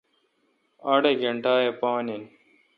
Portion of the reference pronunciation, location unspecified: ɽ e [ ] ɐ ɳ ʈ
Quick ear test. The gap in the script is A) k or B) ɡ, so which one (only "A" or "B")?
B